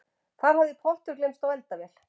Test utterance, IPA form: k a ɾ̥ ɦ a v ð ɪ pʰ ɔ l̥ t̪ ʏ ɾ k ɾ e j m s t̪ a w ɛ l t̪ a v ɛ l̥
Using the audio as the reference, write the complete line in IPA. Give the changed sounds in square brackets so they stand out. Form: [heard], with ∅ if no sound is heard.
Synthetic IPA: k a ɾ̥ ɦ a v ð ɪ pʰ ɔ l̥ t̪ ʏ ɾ k [l] e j m s t̪ a w ɛ l t̪ a v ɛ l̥